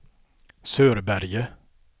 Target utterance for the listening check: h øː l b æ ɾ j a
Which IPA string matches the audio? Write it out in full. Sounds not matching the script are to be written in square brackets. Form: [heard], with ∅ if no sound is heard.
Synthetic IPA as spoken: [s] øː [ɾ] b æ ɾ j [ə]